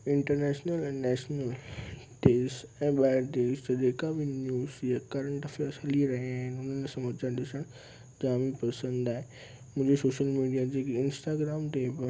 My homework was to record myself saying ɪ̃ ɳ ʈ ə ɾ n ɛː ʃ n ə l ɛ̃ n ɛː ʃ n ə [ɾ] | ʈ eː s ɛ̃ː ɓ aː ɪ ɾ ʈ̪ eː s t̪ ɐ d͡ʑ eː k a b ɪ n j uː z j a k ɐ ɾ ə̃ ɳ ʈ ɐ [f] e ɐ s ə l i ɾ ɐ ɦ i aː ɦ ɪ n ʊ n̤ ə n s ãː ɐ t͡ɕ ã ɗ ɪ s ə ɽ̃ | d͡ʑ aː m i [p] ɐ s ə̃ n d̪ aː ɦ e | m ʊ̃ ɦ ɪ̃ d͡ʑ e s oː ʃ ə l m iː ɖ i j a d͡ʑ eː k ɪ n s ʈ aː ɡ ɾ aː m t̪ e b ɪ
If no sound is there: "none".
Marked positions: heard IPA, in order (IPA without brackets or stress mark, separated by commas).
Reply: l, f, p